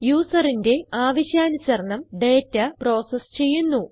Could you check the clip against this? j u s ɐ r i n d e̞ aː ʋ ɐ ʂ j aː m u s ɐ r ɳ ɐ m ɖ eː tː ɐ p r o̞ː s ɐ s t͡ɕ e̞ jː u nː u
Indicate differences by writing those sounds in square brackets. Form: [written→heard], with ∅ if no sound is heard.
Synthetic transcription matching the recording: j [u→uː] s ɐ r i n d e̞ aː ʋ ɐ [ʂ→ɕ] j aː [m→n] u s ɐ r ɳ ɐ m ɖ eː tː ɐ p r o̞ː s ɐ s t͡ɕ e̞ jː u nː u